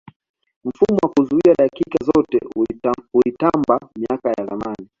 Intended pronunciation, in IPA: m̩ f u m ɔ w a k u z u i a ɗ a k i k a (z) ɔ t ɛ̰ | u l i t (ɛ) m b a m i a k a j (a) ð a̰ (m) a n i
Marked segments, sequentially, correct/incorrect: correct, incorrect: a, correct, correct

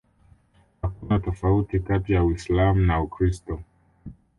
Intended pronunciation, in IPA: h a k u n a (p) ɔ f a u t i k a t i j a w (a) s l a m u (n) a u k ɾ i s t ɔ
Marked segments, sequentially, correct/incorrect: incorrect: t, incorrect: i, correct

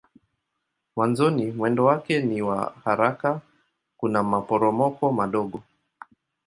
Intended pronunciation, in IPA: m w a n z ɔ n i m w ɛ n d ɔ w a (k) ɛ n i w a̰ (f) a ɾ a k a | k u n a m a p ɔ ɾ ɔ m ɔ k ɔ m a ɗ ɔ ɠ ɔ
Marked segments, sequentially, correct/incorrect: correct, incorrect: h

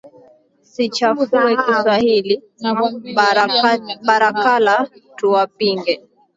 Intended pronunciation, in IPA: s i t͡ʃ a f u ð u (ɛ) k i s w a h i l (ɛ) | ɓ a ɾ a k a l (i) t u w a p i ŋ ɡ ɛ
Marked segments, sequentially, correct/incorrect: correct, incorrect: i, incorrect: a

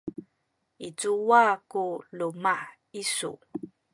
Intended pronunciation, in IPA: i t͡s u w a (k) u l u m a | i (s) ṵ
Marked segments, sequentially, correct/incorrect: correct, correct

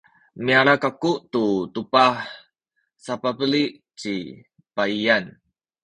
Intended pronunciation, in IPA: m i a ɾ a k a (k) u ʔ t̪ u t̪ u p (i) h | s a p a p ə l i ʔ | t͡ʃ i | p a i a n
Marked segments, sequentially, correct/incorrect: correct, incorrect: a

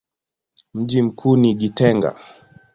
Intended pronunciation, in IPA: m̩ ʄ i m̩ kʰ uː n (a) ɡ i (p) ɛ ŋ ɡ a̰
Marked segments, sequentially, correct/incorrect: incorrect: i, incorrect: t

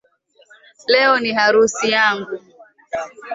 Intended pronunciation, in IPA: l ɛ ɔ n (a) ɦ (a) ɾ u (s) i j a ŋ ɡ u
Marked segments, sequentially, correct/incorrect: incorrect: i, correct, correct

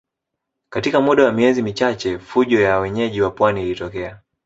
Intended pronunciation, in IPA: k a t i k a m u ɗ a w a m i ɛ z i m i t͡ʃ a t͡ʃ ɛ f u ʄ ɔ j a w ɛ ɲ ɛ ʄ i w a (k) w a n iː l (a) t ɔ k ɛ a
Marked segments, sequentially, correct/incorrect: incorrect: p, incorrect: i

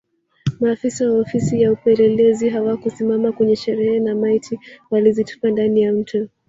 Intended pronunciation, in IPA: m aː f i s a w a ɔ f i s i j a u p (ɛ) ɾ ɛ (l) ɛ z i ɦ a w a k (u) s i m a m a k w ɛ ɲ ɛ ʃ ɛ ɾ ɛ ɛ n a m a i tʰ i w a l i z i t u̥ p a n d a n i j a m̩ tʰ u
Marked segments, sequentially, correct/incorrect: correct, correct, correct

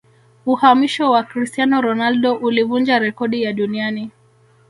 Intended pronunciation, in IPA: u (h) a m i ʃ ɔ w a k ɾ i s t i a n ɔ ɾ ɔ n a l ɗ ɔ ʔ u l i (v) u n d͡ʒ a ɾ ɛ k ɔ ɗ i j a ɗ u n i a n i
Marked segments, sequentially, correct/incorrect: correct, correct

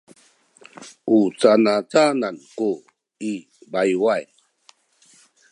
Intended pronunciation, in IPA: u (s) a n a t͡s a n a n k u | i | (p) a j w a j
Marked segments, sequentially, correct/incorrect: incorrect: t͡s, incorrect: b

